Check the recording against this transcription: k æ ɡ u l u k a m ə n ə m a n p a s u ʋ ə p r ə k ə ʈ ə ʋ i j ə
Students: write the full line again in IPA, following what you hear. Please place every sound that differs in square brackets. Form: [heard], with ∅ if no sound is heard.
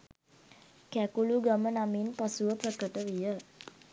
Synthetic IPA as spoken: k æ [k] u l u [ɡ] a m ə n [a] m [i] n p a s u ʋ ə p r ə k ə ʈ ə ʋ i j ə

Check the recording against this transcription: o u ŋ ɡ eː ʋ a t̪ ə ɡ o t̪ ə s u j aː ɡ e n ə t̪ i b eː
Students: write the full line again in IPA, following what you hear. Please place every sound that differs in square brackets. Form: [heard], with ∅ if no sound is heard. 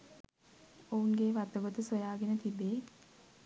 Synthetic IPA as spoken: o u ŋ ɡ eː ʋ a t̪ ə ɡ o t̪ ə s [o] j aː ɡ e n ə t̪ i b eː

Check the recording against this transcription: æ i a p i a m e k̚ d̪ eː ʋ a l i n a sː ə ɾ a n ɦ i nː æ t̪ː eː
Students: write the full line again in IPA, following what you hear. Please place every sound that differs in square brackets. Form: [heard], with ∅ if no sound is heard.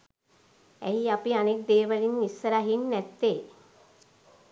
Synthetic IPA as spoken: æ i a p i a [n] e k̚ d̪ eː ʋ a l i n [i] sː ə ɾ a [∅] ɦ i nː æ t̪ː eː

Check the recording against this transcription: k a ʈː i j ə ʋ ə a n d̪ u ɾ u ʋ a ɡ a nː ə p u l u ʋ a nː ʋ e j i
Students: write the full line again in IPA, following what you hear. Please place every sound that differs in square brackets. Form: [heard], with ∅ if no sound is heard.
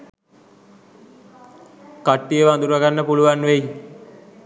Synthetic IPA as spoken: k a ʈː i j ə ʋ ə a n d̪ u ɾ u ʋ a ɡ a nː ə p u l u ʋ a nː ʋ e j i

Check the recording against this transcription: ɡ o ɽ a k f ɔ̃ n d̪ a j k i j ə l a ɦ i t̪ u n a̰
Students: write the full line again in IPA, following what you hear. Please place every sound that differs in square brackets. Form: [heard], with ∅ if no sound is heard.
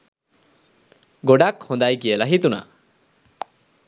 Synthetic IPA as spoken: ɡ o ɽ a k [h] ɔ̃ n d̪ a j k i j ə l a ɦ i t̪ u n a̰

